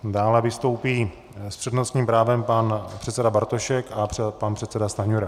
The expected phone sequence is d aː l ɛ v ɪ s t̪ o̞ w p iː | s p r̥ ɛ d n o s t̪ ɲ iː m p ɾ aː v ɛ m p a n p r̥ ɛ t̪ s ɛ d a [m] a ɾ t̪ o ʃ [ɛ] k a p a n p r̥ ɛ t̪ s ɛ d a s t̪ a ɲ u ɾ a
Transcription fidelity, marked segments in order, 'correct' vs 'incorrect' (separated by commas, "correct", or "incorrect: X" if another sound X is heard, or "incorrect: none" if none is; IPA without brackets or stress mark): incorrect: b, correct